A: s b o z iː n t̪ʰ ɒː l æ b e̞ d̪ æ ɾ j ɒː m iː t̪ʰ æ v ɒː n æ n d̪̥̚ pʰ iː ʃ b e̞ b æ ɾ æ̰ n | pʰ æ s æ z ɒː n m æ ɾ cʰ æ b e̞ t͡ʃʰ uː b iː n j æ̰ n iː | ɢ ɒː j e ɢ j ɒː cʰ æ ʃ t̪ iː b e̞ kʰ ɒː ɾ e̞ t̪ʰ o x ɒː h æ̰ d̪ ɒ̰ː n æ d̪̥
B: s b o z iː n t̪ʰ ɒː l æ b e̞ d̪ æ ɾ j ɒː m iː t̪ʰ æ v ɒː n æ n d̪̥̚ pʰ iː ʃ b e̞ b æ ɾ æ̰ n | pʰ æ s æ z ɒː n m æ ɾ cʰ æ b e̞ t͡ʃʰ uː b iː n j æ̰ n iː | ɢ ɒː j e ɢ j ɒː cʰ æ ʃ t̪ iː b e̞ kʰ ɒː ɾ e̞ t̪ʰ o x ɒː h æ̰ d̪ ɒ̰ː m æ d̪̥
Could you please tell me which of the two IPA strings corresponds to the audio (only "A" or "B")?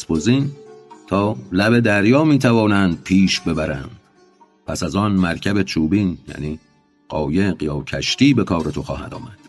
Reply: B